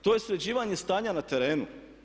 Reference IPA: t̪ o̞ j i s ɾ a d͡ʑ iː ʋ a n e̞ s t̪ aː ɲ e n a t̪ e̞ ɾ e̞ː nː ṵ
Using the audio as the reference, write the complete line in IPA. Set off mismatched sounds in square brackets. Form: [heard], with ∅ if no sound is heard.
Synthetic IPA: t̪ o̞ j [e] s ɾ [e] d͡ʑ iː ʋ a [ɲ] e̞ s t̪ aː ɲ [a] n a t̪ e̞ ɾ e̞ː [n] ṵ